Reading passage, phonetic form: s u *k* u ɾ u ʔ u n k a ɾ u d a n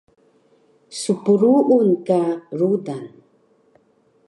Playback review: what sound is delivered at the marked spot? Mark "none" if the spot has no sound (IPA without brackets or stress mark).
p